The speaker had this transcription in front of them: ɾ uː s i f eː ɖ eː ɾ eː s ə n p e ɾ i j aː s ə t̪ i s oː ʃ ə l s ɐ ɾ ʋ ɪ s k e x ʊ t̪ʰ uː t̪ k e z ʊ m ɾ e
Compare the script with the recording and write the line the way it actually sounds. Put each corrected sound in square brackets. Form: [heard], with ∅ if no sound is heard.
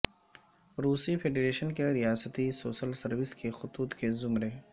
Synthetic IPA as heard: ɾ uː s i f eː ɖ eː ɾ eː [ʃ] ə n [k] e ɾ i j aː s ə t̪ i s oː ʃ ə l s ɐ ɾ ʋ ɪ s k e x ʊ [t̪] uː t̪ k e z ʊ m ɾ e